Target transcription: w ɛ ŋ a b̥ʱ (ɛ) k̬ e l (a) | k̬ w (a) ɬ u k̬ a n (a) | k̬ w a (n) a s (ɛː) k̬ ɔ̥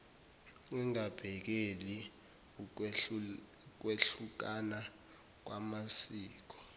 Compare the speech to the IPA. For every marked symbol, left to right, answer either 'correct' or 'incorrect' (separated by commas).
correct, incorrect, incorrect, correct, incorrect, incorrect